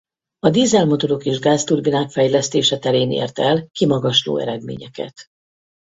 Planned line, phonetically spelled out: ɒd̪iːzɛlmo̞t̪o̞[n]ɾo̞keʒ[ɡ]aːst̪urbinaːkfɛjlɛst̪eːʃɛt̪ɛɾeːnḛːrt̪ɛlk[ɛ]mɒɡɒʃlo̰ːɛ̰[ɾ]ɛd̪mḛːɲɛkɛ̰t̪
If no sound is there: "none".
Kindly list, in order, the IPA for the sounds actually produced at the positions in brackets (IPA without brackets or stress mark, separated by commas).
none, ɡ, i, ɾ